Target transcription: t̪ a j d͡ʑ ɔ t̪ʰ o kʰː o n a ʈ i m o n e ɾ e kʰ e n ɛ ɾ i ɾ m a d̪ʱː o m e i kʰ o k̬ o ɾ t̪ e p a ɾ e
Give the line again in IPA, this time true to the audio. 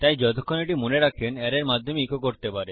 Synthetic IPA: t̪ a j d͡ʑ ɔ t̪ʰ o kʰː o n e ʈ i m o n e ɾ a kʰ e n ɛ ɾ e ɾ m a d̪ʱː o m e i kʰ o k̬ o ɾ t̪ e p a ɾ e